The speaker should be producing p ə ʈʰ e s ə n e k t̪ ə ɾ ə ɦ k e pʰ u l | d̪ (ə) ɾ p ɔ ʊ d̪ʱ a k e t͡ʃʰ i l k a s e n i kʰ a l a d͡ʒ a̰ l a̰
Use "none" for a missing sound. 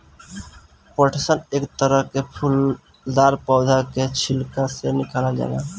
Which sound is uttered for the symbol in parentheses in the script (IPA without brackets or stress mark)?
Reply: a